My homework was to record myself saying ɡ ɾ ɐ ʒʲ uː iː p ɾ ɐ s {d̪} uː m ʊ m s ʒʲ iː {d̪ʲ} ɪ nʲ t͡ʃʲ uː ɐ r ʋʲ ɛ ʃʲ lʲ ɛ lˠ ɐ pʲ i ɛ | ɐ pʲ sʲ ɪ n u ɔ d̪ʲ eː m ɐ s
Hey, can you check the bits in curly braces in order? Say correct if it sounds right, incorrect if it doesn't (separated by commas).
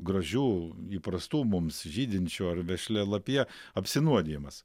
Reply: incorrect, correct